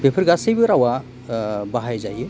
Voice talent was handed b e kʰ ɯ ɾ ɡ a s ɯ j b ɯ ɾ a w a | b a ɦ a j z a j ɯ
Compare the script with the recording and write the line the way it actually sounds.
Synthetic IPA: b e pʰ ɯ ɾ ɡ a s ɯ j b ɯ ɾ a w a | b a ɦ a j z a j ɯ